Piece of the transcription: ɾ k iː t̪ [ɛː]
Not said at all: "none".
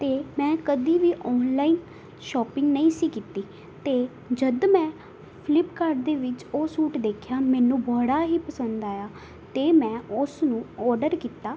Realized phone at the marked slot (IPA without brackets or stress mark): aː